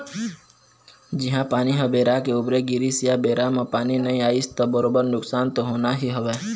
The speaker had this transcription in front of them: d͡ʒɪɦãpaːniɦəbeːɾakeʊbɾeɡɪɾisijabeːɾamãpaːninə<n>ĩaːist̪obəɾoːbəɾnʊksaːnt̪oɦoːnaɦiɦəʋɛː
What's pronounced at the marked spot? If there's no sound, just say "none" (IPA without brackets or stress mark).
none